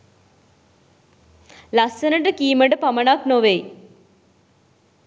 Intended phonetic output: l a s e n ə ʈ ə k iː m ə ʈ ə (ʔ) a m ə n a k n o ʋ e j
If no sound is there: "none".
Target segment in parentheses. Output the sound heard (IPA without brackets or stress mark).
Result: p